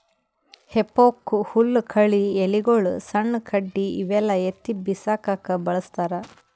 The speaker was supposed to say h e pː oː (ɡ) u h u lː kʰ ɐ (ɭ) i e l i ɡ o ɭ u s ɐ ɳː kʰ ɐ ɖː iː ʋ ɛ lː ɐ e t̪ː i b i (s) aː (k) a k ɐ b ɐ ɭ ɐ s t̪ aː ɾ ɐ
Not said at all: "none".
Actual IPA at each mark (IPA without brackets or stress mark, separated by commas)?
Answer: k, ɭ, s, k